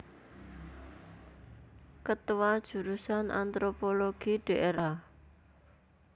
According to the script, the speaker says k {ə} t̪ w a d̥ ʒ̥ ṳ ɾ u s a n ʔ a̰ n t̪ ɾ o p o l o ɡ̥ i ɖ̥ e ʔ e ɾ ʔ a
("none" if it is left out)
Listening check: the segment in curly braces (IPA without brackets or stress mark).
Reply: ə